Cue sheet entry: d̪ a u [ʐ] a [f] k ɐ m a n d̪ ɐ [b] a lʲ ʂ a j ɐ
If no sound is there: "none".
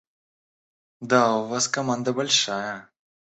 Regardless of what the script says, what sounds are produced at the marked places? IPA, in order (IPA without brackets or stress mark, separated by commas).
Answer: v, s, b